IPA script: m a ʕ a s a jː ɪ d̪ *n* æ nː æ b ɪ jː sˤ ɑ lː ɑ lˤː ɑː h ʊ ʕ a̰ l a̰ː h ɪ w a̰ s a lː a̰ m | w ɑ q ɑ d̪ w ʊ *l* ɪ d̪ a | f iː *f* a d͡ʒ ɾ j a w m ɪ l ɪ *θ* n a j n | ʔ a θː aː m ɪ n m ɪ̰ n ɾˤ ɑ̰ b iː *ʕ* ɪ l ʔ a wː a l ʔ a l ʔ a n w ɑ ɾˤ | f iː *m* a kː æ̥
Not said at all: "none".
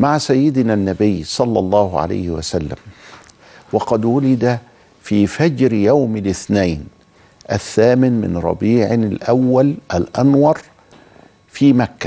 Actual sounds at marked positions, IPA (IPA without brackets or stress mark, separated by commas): n, l, f, θ, ʕ, m